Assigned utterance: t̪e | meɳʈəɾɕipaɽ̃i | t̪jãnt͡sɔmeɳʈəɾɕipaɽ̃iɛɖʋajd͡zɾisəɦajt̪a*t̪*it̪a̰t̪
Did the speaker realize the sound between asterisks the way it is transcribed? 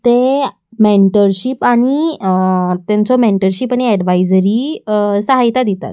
no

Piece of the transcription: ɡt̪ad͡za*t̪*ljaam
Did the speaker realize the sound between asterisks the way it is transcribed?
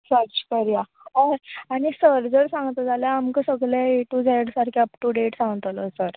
no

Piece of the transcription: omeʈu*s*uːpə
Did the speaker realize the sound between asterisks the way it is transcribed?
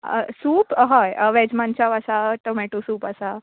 yes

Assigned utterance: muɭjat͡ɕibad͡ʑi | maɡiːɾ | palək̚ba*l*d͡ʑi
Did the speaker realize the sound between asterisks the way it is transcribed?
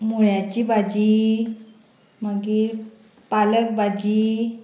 no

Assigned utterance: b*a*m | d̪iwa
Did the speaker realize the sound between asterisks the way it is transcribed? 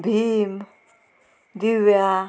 no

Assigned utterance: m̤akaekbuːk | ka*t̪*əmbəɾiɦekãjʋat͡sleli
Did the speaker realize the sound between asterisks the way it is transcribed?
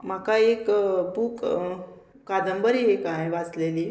no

